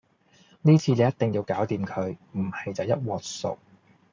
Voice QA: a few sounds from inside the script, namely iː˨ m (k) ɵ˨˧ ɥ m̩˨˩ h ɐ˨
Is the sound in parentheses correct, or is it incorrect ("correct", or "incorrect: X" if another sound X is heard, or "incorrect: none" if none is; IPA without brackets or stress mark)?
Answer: incorrect: kʰ